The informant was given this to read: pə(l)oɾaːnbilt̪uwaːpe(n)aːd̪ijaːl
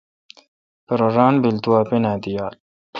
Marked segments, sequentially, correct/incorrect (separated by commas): incorrect, correct